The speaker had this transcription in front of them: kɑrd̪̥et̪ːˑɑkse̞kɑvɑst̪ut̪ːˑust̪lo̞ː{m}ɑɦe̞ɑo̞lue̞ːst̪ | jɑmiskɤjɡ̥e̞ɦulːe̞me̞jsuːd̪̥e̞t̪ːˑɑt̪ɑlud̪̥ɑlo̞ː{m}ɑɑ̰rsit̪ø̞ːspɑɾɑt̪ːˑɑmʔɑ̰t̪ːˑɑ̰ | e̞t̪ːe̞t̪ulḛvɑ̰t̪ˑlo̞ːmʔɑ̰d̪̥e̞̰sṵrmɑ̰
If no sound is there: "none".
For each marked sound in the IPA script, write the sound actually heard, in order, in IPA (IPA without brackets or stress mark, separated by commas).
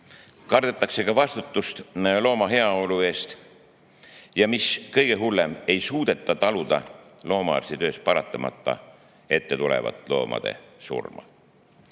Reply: m, m